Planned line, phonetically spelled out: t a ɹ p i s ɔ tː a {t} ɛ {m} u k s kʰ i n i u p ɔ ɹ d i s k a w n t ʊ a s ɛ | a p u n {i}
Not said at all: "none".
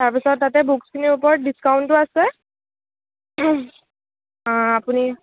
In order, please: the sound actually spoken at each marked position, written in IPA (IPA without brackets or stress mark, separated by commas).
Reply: t, b, i